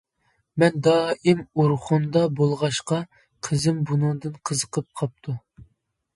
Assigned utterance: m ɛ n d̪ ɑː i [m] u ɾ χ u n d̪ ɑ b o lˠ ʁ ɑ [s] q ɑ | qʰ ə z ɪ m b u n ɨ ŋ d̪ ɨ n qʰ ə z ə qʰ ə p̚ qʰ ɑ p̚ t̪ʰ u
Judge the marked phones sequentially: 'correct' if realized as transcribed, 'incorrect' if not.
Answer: correct, incorrect: ʃ

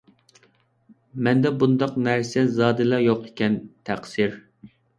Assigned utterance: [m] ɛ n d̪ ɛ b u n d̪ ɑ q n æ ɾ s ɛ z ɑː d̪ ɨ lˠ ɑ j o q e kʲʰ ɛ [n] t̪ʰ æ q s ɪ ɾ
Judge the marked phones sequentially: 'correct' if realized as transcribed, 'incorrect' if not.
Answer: correct, correct

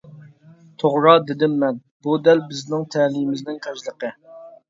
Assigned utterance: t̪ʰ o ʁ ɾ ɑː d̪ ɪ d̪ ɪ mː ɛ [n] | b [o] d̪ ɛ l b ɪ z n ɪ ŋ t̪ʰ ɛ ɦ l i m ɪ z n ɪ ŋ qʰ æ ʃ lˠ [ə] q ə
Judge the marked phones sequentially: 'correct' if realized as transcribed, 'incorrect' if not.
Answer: correct, incorrect: u, correct

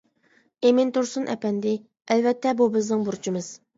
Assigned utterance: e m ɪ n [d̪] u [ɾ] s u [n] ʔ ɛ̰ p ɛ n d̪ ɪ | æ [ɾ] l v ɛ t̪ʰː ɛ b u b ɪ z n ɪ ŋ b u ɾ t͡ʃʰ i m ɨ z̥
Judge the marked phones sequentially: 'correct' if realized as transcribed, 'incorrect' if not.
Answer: incorrect: t̪, correct, correct, incorrect: none

